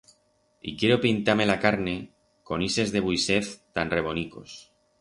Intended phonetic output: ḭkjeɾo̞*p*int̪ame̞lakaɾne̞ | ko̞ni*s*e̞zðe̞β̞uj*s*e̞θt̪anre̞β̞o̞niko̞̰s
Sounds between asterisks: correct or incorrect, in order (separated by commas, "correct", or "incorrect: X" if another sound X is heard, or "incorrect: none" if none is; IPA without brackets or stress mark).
correct, correct, correct